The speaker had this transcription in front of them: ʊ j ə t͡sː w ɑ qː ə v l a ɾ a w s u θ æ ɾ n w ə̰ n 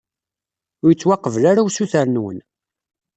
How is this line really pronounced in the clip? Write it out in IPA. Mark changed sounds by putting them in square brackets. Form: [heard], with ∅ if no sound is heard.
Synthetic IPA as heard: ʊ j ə t͡sː w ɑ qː ə v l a ɾ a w s u θ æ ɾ n w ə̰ n